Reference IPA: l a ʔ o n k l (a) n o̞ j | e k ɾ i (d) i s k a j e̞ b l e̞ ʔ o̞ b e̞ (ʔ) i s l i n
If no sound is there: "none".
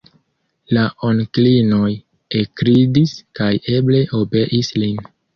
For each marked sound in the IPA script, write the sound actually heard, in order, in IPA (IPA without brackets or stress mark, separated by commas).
i, d, ʔ